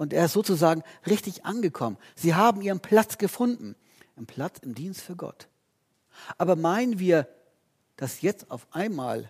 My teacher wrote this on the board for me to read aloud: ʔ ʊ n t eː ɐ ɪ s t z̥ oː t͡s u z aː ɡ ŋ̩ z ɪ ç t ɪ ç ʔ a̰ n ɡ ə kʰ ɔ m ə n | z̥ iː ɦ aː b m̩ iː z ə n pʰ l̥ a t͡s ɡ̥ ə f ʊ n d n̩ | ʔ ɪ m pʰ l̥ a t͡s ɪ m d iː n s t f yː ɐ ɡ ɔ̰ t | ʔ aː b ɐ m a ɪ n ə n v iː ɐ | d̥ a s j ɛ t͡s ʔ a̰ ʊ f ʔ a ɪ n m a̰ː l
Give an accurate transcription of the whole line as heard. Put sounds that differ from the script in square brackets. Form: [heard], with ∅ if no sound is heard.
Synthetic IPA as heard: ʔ ʊ n t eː ɐ ɪ s t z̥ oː t͡s u z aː ɡ ŋ̩ [ʁ] ɪ ç t ɪ ç ʔ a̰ n ɡ ə kʰ ɔ m ə n | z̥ iː ɦ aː b m̩ iː [ʁ] ə n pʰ l̥ a t͡s ɡ̥ ə f ʊ n d n̩ | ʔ ɪ m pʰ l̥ a t͡s ɪ m d iː n s t f yː ɐ ɡ ɔ̰ t | ʔ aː b ɐ m a ɪ n ə n v iː ɐ | d̥ a s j ɛ t͡s [t] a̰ ʊ f ʔ a ɪ n m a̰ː l